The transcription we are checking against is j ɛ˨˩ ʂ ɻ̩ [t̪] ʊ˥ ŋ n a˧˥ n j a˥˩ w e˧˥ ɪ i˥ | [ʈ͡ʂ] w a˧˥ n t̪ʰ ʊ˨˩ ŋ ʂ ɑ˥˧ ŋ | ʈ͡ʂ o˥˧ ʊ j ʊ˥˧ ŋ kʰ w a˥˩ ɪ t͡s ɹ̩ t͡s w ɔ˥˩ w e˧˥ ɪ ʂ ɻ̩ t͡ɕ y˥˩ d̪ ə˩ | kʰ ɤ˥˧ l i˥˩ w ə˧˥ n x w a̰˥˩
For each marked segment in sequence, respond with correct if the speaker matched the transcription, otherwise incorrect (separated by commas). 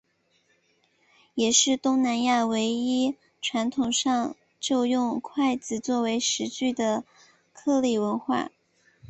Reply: correct, incorrect